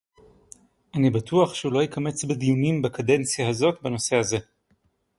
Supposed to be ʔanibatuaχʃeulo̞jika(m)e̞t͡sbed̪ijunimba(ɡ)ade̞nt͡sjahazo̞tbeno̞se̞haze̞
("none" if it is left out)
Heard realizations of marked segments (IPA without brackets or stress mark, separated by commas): m, k